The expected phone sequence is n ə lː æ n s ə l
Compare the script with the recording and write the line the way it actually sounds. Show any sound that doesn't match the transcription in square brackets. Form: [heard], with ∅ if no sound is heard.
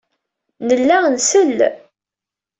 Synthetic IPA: n ə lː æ n s ə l